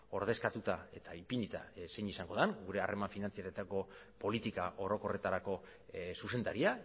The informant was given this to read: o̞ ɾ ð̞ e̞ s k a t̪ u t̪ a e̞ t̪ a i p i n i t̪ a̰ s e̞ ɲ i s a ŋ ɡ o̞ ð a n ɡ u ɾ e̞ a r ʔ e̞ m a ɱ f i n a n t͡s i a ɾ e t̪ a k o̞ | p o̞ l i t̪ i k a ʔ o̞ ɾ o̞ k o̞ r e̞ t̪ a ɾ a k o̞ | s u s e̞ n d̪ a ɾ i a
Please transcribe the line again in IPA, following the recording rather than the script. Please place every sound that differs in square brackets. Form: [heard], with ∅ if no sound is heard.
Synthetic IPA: o̞ ɾ ð̞ e̞ s k a t̪ u t̪ a e̞ t̪ a i p i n i t̪ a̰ s e̞ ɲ i s a ŋ ɡ o̞ ð a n ɡ u ɾ e̞ a r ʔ e̞ m a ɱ f i n a n t͡s i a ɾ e t̪ a k o̞ | p o̞ l i t̪ i k a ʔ o̞ ɾ o̞ k o̞ r e̞ t̪ a ɾ a k o̞ | s u s e̞ n d̪ a ɾ i a